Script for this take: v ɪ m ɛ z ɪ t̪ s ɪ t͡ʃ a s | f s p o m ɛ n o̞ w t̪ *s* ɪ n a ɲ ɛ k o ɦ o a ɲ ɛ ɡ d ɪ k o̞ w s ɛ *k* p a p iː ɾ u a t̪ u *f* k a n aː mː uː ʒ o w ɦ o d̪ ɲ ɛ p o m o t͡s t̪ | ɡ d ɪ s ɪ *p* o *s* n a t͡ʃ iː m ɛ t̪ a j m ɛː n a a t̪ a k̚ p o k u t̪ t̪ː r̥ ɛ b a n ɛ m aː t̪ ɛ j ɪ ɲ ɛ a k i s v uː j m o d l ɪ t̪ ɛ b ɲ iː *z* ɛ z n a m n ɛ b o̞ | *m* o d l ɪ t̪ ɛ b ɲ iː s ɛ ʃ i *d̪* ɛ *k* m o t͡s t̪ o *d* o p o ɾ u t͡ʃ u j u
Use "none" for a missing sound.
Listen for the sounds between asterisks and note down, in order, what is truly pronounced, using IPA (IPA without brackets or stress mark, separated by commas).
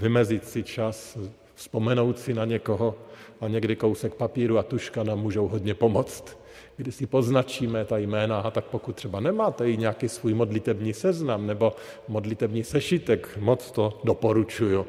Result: s, k, ʃ, p, z, s, m, t̪, k, d